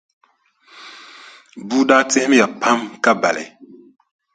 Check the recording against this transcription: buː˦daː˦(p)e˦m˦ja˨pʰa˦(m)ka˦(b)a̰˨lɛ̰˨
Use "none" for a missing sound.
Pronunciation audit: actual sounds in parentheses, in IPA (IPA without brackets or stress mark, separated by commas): t, m, b